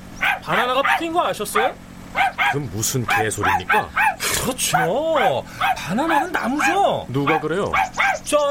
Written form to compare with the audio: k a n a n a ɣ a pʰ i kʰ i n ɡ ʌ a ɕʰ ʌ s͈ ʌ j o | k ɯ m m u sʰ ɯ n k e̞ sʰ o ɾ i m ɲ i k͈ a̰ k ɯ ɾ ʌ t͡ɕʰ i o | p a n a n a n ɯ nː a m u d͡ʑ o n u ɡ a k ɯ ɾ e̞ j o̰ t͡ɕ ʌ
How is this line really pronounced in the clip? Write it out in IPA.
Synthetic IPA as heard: p a n a n a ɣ a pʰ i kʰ i n ɡ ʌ a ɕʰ ʌ s͈ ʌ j o | k ɯ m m u sʰ ɯ n k e̞ sʰ o ɾ i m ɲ i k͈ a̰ k ɯ ɾ ʌ t͡ɕʰ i o | p a n a n a n ɯ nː a m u d͡ʑ o n u ɡ a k ɯ ɾ e̞ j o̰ t͡ɕ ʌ